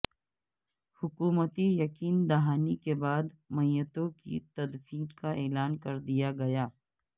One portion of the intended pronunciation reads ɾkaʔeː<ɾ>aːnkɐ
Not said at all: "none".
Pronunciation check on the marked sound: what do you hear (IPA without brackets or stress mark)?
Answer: l